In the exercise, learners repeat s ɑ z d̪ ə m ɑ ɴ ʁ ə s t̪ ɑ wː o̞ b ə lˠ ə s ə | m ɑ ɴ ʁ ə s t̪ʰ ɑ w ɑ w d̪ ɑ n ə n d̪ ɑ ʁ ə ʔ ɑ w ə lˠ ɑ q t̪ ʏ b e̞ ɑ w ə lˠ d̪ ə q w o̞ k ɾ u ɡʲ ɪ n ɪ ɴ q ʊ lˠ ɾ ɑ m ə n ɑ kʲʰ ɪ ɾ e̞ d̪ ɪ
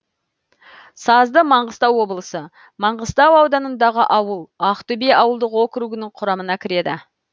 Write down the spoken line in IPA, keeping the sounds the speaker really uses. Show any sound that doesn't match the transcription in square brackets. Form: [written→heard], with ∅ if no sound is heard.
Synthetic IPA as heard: s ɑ z d̪ ə m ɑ ɴ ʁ ə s t̪ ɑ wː o̞ b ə lˠ ə s ə | m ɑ ɴ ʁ ə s [t̪ʰ→t̪] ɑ w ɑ w d̪ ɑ n ə n d̪ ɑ ʁ ə ʔ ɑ w ə lˠ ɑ q t̪ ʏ b e̞ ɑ w ə lˠ d̪ ə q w o̞ k ɾ u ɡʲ ɪ n ɪ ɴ [q→qʰ] ʊ [lˠ→∅] ɾ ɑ m ə n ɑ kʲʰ ɪ ɾ e̞ d̪ ɪ